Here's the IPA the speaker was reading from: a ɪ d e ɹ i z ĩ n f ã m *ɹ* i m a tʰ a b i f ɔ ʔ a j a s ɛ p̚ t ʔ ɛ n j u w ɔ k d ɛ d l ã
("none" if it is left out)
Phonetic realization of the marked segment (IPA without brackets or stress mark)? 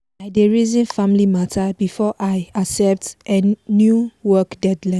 l